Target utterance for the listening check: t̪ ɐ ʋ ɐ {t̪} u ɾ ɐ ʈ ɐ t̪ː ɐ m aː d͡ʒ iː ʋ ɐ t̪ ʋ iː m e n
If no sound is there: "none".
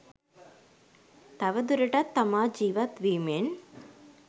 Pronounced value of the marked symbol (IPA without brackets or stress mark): d̪